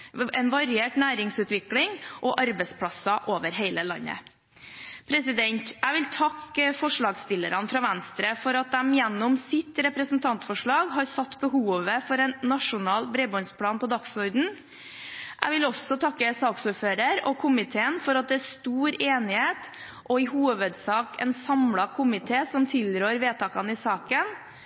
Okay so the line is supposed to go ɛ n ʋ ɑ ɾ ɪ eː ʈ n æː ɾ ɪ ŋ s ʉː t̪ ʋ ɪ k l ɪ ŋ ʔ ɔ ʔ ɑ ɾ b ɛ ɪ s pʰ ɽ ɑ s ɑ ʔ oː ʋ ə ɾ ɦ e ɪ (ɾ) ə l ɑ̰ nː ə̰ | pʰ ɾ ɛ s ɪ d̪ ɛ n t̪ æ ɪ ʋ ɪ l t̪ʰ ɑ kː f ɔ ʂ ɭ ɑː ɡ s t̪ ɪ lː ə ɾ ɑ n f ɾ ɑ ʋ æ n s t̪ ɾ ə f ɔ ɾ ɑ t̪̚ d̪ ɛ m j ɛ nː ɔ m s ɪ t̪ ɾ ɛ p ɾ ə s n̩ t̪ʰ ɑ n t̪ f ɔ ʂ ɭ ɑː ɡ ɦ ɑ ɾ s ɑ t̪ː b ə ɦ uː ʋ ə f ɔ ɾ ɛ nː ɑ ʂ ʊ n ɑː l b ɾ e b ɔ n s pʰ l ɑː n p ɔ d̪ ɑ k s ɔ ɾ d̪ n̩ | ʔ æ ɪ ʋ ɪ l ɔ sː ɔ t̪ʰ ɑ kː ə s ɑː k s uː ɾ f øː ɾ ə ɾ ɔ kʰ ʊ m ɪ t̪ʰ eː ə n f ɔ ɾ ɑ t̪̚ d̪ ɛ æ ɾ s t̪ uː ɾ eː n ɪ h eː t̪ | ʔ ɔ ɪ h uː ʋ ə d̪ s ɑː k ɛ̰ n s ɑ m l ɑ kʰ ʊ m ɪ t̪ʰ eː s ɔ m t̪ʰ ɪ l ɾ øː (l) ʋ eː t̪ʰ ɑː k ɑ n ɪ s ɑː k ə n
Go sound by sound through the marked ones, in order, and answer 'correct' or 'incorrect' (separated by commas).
incorrect, incorrect